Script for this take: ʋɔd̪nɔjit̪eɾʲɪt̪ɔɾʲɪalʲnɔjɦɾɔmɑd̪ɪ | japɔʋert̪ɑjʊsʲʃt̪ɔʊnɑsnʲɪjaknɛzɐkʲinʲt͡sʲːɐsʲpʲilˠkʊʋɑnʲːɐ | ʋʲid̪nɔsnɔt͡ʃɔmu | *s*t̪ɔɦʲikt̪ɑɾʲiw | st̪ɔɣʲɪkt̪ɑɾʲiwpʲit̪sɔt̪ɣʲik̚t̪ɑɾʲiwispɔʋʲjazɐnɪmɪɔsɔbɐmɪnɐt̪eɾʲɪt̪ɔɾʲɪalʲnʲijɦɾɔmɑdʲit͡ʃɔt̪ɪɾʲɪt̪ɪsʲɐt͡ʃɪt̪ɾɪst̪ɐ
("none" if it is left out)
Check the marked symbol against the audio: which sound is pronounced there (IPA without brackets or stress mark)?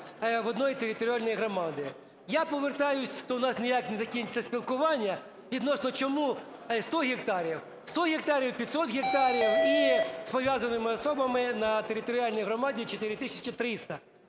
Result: s